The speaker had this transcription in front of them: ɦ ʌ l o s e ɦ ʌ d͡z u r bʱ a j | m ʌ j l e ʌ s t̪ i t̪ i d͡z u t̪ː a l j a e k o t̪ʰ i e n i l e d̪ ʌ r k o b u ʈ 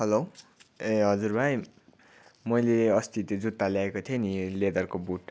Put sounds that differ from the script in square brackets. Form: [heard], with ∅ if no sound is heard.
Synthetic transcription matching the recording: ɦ ʌ l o [∅] e ɦ ʌ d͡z u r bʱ a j | m ʌ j l e ʌ s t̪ i t̪ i d͡z u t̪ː a l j a e k o t̪ʰ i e n i l e d̪ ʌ r k o b u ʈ